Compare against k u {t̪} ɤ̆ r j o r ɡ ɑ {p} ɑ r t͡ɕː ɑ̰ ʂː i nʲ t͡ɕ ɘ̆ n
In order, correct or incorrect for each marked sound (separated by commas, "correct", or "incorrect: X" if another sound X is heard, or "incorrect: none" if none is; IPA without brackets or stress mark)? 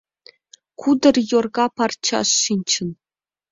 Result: incorrect: d̪, correct